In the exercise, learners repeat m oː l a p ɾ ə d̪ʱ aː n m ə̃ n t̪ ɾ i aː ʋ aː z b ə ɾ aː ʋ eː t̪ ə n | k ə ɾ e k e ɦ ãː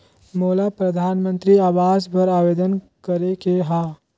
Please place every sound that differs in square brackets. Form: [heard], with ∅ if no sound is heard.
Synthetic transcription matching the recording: m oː l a p ɾ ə d̪ʱ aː n m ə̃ n t̪ ɾ i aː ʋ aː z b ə ɾ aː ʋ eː [d̪] ə n | k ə ɾ e k e ɦ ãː

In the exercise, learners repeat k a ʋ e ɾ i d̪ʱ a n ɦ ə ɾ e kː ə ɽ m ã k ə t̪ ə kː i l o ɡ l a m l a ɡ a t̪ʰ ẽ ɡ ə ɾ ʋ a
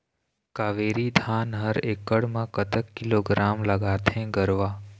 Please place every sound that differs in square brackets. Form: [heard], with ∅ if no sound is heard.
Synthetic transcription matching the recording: k a ʋ e ɾ i d̪ʱ a n ɦ ə ɾ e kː ə ɽ m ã k ə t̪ ə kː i l o ɡ [ɾ] a m l [ə] ɡ a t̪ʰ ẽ ɡ ə ɾ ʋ a

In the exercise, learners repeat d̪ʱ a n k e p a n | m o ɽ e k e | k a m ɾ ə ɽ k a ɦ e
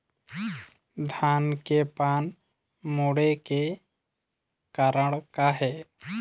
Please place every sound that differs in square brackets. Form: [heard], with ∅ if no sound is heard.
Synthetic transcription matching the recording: d̪ʱ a n k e p a n | m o ɽ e k e | k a [∅] ɾ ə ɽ k a ɦ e

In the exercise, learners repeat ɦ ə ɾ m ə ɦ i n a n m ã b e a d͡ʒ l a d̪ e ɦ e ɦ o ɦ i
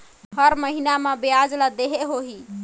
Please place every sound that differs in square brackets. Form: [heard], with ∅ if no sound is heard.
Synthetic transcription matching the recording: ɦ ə ɾ m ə ɦ i n a [∅] m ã b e a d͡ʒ l a d̪ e ɦ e ɦ o ɦ i

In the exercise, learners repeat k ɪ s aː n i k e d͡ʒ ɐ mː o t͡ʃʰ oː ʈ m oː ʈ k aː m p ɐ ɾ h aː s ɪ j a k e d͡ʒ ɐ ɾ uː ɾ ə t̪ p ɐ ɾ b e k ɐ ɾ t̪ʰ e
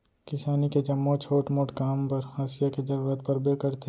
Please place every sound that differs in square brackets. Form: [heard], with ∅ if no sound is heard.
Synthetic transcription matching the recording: k ɪ s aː n i k e d͡ʒ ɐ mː o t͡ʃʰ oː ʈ m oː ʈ k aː m p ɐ ɾ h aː s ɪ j a k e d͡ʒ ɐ ɾ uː ɾ ə t̪ p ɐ ɾ b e k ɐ ɾ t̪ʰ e

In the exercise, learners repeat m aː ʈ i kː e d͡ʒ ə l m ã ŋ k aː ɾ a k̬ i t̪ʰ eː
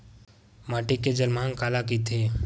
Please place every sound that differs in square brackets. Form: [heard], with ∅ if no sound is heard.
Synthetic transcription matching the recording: m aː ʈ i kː e d͡ʒ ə l m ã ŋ k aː [l] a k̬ i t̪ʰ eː

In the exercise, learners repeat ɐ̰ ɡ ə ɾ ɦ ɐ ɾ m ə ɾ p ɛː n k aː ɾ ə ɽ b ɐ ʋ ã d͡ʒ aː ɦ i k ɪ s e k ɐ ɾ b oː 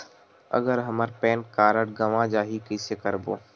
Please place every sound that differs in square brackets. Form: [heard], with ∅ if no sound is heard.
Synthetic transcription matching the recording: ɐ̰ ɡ ə ɾ ɦ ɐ [∅] m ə ɾ p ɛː n k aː ɾ ə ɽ [ɡ] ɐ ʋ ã d͡ʒ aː ɦ i k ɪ s e k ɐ ɾ b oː

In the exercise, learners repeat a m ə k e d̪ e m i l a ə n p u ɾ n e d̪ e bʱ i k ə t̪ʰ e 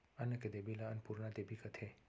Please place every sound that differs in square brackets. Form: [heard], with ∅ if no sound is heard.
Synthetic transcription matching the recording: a [n] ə k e d̪ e [b] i l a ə n p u ɾ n [a] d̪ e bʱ i k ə t̪ʰ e

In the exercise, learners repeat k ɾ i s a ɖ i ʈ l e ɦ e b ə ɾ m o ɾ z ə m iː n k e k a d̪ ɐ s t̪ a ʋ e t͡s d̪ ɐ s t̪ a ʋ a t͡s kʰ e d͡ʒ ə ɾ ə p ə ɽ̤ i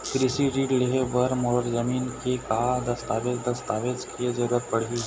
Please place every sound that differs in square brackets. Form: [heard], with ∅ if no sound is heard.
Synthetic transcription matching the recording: k ɾ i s [i] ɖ i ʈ l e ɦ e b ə ɾ m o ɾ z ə m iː n k e k a d̪ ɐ s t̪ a ʋ e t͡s d̪ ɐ s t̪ a ʋ [e] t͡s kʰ e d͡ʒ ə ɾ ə p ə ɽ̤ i

